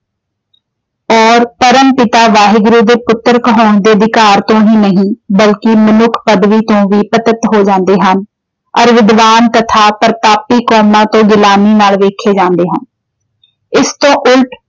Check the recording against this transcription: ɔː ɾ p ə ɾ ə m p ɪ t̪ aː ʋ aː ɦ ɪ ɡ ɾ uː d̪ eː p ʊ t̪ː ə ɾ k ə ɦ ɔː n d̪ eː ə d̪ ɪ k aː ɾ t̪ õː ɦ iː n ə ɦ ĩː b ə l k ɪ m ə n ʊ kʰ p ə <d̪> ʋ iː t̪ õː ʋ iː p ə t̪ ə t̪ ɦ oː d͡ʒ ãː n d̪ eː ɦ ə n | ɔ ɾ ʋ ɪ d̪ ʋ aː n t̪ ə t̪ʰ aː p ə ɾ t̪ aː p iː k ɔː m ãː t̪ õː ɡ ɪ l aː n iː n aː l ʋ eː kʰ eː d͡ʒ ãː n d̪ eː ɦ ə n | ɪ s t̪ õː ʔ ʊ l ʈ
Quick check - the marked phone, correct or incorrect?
correct